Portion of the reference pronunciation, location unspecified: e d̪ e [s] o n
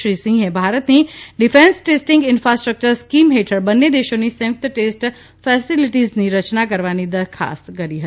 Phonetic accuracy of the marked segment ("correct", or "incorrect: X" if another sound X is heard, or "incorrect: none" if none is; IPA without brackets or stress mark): incorrect: ʃ